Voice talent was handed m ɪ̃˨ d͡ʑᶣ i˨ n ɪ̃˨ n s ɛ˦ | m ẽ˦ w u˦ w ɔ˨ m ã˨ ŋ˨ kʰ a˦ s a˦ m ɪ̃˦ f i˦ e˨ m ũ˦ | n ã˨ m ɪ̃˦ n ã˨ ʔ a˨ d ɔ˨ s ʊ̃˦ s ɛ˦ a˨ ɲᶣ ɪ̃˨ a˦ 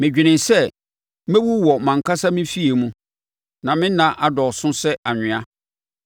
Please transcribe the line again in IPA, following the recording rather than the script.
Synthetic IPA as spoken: m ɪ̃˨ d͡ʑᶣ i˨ n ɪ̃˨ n s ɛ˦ | m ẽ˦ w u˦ w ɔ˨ m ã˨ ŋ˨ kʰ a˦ s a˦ m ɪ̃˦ f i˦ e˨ m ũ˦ | n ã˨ m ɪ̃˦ n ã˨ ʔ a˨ d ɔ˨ s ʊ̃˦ s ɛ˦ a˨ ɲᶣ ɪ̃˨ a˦

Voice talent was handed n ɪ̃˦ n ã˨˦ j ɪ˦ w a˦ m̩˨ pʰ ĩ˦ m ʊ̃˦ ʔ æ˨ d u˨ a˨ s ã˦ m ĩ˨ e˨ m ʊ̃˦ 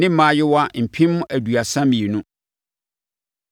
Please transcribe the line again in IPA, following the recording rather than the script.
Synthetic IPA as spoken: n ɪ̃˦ m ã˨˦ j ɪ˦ w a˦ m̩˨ pʰ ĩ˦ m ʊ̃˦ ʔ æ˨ d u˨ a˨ s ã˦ m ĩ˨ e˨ n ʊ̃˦

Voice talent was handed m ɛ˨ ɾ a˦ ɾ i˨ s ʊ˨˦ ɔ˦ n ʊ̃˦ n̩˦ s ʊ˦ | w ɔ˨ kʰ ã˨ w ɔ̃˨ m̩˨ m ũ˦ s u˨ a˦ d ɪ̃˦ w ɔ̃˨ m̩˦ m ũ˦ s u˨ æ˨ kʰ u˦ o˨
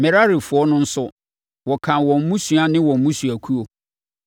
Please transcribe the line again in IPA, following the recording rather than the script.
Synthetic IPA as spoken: m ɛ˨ ɾ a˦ ɾ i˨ f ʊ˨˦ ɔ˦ n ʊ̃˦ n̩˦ s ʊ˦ | w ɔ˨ kʰ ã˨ w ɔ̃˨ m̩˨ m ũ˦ s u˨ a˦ n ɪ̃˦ w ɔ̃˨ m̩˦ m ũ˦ s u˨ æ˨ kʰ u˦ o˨

